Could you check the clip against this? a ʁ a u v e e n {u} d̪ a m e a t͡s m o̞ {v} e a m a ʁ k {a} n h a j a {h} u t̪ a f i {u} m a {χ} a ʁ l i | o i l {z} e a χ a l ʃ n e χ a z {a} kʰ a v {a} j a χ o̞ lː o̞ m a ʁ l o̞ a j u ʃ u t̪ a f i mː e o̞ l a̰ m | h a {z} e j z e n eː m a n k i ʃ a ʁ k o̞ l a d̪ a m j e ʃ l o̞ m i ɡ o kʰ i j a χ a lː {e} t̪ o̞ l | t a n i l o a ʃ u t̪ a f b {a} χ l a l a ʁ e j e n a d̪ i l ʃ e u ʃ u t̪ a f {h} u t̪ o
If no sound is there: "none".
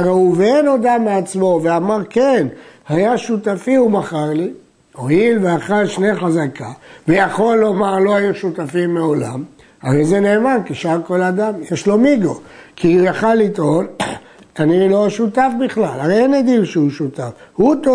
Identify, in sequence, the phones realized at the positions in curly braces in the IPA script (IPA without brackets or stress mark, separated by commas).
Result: o, v, e, ʃ, u, χ, v, a, e, ʁ, i, i, h